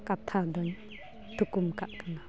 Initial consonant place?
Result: velar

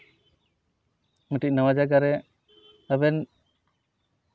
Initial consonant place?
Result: labial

